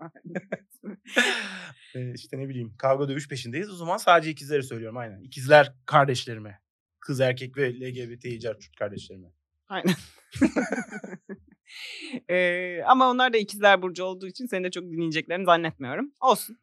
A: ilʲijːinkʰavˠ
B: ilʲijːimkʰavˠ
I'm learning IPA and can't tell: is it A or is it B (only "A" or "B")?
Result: B